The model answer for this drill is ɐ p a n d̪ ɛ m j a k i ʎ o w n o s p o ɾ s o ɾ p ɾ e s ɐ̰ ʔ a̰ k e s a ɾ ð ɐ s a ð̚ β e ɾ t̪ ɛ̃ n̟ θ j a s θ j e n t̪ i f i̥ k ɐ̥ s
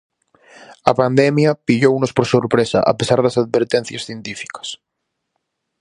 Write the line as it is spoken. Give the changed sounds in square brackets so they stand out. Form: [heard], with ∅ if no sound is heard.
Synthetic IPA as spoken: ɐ p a n d̪ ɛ m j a [p] i ʎ o w n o s p o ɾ s o ɾ p ɾ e s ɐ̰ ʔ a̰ [p] e s a ɾ ð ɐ s a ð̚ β e ɾ t̪ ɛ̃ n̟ θ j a s θ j e n t̪ i f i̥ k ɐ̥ s